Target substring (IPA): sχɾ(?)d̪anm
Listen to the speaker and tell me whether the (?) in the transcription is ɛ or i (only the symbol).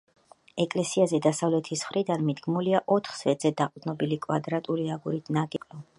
i